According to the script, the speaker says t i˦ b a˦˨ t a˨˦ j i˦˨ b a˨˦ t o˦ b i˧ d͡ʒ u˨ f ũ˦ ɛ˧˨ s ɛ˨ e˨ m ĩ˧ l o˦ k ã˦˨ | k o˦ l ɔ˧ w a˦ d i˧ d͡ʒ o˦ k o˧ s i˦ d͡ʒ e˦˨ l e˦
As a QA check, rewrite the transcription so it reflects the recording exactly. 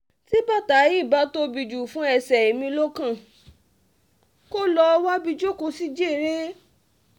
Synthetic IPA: t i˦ b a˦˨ t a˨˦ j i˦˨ b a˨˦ t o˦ b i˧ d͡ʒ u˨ f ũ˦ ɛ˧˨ s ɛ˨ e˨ m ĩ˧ l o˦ k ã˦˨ | k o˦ l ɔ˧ w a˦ b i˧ d͡ʒ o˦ k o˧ s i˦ d͡ʒ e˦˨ ɾ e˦

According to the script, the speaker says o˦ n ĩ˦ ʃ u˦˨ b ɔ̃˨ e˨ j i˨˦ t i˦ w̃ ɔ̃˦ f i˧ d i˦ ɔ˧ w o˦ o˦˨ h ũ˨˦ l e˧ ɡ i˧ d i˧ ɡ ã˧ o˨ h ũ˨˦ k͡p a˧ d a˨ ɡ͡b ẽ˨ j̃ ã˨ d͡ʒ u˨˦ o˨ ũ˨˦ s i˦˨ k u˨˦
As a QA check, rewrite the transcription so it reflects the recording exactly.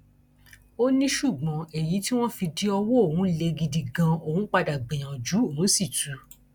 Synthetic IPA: o˦ n ĩ˦ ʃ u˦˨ ɡ͡b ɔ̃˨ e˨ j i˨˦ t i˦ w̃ ɔ̃˦ f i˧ d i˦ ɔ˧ w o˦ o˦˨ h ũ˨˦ l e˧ ɡ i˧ d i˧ ɡ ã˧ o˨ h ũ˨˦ k͡p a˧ d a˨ ɡ͡b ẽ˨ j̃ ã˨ d͡ʒ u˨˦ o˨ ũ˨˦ s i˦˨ t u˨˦

